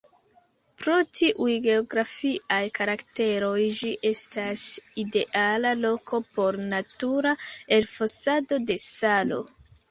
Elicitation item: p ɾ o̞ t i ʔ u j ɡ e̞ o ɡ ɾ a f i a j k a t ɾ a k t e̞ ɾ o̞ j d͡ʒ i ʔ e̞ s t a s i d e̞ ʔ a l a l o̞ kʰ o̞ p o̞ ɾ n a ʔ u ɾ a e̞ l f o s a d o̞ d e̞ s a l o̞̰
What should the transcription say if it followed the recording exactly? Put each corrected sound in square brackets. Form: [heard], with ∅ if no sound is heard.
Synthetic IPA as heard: p ɾ o̞ t i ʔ u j ɡ e̞ o ɡ ɾ a f i a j k a [∅] ɾ a k t e̞ ɾ o̞ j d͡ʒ i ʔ e̞ s t a s i d e̞ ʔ a l a l o̞ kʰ o̞ p o̞ ɾ n a [t] u ɾ a e̞ l f o s a d o̞ d e̞ s a l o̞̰